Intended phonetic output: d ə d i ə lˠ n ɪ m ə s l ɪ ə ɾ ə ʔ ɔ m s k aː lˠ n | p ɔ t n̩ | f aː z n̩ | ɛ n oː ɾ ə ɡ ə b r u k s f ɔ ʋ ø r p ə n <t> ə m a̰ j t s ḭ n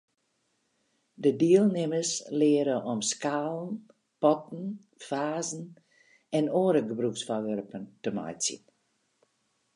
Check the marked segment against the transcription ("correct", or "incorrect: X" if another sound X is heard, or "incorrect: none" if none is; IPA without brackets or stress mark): correct